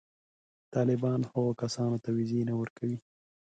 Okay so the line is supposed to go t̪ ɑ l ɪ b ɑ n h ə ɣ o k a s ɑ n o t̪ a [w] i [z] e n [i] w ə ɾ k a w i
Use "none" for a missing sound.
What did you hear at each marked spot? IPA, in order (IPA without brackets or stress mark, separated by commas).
w, z, a